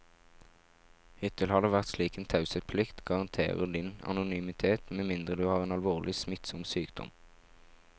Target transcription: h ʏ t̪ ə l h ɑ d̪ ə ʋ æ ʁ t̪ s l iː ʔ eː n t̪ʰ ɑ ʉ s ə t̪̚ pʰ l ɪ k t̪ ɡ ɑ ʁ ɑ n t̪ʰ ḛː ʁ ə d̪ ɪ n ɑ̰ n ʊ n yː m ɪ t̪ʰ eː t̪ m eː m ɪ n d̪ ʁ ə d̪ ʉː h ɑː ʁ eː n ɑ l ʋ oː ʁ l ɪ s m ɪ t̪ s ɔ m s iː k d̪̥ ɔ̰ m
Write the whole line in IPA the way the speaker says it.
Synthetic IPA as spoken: h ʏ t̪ ə l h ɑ d̪ ə ʋ æ ʁ t̪ s l iː k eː n t̪ʰ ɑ ʉ s ə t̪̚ pʰ l ɪ k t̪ ɡ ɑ ʁ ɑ n t̪ʰ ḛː ʁ ə d̪ ɪ n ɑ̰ n ʊ n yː m ɪ t̪ʰ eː t̪ m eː m ɪ n d̪ ʁ ə d̪ ʉː h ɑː ʁ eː n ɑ l ʋ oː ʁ l ɪ s m ɪ t̪ s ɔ m s yː k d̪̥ ɔ̰ m

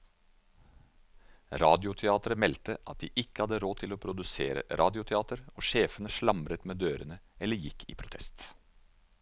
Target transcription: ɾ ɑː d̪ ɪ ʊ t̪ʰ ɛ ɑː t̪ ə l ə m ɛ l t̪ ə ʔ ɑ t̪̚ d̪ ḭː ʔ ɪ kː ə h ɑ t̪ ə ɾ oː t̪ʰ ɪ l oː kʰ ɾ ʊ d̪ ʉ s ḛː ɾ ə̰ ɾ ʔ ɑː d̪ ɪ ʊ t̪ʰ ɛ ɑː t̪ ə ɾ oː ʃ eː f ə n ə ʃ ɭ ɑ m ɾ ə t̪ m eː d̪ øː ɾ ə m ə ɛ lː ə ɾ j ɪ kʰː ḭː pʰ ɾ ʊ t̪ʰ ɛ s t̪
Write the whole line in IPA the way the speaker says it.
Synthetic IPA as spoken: ɾ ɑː d̪ ɪ ʊ t̪ʰ ɛ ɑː t̪ ə ɾ ə m ɛ l t̪ ə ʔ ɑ t̪̚ d̪ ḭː ʔ ɪ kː ə h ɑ d̪ ə ɾ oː t̪ʰ ɪ l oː pʰ ɾ ʊ d̪ ʉ s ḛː ɾ ə̰ ɾ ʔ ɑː d̪ ɪ ʊ t̪ʰ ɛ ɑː t̪ ə ɾ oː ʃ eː f ə n ə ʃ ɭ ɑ m ɾ ə t̪ m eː d̪ øː ɾ ə n ə ɛ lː ə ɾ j ɪ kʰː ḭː pʰ ɾ ʊ t̪ʰ ɛ s t̪

